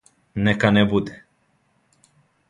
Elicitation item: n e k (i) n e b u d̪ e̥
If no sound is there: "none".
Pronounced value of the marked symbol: a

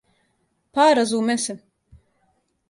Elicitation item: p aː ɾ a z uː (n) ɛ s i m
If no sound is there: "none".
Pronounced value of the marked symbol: m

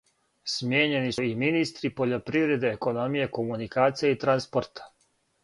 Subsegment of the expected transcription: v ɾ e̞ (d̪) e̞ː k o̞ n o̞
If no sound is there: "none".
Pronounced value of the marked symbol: d̪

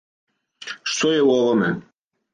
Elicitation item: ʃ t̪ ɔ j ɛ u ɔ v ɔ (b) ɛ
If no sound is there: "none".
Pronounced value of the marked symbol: m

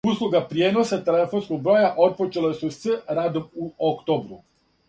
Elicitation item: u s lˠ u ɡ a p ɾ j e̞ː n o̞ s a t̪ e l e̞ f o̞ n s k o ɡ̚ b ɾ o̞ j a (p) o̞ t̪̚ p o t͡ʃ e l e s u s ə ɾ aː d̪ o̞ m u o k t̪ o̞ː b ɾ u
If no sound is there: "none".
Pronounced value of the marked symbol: ʔ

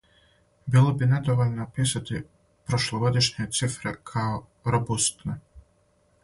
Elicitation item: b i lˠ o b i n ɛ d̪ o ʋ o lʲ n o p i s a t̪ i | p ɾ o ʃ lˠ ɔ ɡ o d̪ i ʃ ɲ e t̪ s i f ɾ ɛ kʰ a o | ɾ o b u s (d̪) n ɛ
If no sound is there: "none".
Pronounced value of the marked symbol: t̪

